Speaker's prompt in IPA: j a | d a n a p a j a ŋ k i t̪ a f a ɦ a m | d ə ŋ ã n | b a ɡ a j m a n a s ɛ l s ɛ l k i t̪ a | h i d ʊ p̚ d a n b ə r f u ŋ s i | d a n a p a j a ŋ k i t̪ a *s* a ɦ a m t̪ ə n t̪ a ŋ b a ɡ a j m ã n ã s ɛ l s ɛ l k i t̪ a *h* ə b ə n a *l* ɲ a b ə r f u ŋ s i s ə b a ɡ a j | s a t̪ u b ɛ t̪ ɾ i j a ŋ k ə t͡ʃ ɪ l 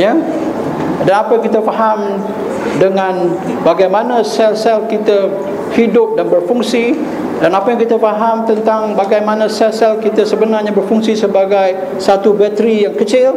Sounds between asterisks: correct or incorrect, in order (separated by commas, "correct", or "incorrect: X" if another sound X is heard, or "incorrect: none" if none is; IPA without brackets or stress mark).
incorrect: f, incorrect: s, incorrect: r